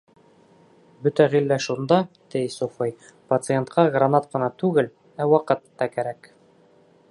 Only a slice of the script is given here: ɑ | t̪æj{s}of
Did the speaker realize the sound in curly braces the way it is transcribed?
yes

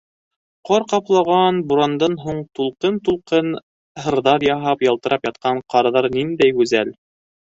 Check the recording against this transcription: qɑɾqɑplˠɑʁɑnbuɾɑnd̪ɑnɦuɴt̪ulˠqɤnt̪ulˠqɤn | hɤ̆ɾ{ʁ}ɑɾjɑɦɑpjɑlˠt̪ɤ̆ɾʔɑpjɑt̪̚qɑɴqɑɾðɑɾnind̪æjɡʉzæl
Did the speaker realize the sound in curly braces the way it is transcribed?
no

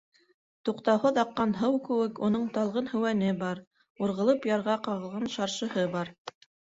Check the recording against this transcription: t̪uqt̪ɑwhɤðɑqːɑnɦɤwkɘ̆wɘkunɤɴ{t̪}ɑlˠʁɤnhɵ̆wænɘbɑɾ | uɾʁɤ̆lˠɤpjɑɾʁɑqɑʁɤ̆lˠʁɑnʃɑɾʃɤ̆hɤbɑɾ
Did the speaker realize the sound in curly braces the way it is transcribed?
yes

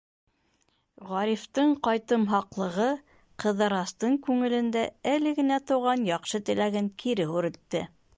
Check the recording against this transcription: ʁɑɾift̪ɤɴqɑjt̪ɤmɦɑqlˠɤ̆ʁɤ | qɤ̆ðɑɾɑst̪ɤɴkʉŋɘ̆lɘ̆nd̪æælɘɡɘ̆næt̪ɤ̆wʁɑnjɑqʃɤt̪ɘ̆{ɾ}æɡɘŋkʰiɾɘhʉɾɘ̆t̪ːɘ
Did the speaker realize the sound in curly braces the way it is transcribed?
no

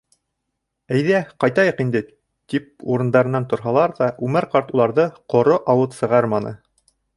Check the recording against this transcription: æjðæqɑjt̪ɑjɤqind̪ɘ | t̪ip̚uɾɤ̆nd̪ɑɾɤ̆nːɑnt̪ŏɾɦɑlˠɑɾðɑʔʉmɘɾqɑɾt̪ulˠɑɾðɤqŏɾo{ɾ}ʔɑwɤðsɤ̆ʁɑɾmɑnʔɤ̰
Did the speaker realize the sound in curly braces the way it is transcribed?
no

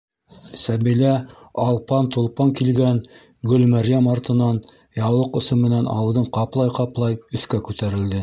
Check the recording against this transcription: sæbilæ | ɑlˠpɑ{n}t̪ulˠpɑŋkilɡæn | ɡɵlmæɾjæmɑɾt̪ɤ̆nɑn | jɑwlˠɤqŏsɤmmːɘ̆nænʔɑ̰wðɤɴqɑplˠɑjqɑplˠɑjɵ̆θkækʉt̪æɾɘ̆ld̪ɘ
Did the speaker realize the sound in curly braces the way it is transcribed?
yes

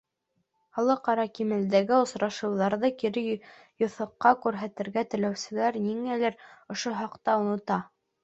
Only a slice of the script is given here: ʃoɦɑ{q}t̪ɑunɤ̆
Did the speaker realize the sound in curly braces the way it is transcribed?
yes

